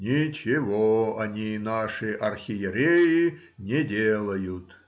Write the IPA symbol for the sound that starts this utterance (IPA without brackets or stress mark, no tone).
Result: nʲ